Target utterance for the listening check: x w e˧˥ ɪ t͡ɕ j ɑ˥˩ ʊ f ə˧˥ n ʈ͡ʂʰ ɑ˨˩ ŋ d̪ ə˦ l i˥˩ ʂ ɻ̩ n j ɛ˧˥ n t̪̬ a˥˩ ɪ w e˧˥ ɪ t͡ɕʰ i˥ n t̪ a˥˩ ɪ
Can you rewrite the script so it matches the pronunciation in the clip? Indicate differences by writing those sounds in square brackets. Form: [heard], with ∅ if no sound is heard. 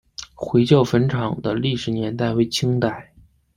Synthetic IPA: x w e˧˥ ɪ t͡ɕ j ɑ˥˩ ʊ f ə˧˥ n ʈ͡ʂʰ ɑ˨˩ ŋ d̪ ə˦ l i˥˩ ʂ ɻ̩ n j ɛ˧˥ n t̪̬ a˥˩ ɪ w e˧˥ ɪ t͡ɕʰ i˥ [ŋ] t̪ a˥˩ ɪ